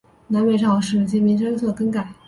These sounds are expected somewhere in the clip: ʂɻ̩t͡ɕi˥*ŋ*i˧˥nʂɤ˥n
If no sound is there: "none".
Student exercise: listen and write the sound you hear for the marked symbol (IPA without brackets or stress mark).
m